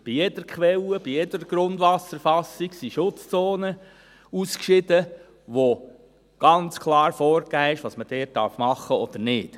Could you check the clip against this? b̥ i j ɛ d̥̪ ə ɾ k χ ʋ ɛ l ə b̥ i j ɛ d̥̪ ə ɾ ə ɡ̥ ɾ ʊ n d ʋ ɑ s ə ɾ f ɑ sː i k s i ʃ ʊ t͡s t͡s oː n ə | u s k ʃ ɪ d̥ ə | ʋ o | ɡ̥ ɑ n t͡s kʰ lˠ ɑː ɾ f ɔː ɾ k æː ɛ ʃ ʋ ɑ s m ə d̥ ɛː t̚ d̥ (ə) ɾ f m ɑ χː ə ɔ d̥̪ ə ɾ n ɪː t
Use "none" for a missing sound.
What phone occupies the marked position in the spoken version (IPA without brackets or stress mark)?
ɑ